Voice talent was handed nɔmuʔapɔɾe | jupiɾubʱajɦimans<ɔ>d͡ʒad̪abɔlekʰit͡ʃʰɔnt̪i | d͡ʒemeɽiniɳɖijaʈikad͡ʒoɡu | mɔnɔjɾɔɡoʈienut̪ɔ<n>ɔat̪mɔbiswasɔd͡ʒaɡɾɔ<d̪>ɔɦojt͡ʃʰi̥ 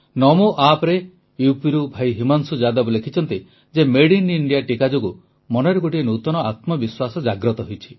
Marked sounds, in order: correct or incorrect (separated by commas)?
incorrect, correct, incorrect